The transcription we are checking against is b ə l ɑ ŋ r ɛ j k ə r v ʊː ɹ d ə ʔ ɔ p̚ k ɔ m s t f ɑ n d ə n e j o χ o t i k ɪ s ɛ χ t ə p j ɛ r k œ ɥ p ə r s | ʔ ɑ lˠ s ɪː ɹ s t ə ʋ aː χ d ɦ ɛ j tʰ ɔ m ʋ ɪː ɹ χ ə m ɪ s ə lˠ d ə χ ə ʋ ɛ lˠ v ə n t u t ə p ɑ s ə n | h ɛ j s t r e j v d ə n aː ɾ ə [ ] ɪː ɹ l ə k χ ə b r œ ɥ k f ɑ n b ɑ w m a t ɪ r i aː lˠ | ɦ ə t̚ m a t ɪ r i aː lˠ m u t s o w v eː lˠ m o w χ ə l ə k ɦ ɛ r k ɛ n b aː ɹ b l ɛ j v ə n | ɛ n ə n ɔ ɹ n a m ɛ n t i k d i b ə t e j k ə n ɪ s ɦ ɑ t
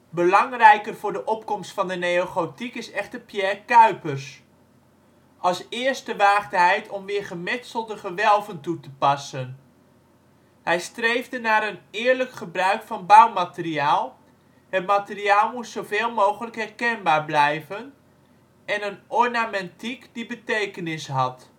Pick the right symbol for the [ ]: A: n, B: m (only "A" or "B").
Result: A